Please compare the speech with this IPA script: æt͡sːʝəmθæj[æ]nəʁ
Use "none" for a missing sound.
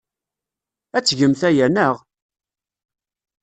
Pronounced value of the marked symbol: æ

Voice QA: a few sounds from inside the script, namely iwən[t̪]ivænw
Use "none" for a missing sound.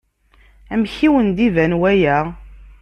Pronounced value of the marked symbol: d̪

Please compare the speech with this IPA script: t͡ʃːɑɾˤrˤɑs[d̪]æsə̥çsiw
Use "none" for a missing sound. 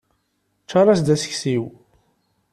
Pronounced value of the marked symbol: d̪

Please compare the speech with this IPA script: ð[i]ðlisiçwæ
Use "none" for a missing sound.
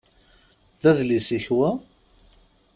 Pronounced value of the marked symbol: æ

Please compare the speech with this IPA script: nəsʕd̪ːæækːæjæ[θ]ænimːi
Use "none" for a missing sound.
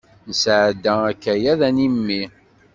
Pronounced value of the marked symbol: ð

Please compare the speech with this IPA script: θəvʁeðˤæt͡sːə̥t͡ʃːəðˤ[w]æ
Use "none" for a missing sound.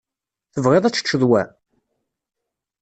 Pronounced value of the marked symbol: w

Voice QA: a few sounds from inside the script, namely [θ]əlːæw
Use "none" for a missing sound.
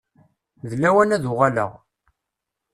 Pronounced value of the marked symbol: ð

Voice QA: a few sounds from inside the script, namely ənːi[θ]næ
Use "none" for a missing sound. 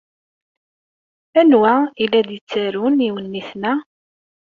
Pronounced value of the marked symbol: θ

